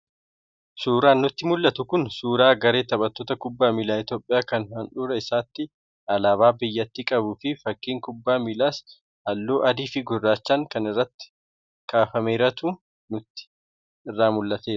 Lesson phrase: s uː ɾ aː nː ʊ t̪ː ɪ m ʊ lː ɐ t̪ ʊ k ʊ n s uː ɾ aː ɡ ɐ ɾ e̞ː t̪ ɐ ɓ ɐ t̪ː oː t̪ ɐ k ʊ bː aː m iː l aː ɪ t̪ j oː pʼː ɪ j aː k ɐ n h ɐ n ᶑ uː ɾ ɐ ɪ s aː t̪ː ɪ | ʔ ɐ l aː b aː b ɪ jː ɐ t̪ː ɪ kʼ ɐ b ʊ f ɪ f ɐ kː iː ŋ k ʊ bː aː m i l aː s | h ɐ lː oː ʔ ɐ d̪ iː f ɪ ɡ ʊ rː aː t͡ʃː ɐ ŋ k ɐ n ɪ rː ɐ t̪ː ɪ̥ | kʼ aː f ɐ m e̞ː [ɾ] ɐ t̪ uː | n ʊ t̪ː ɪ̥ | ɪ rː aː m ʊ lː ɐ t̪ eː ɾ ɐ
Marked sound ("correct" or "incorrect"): correct